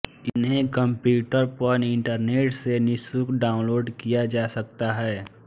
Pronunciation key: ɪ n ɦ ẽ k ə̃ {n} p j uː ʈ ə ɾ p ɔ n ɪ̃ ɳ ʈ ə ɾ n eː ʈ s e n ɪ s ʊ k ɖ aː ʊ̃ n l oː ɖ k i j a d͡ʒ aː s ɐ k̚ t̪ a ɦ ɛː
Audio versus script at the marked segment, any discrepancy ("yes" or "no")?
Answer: yes